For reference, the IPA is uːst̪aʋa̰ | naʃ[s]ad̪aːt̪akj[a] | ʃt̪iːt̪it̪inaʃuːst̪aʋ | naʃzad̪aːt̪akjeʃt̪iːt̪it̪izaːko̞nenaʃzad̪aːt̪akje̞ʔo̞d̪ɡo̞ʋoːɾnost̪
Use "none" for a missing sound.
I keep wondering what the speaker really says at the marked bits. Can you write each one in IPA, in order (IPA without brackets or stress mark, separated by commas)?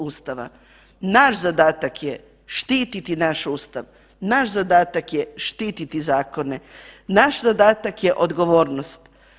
z, e